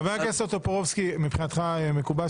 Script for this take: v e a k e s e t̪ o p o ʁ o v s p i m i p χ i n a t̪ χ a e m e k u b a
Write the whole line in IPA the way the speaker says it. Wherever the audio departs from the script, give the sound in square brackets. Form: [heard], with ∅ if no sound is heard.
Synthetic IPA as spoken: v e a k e s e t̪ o p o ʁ o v s [k] i m i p χ i n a t̪ χ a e m e k u b a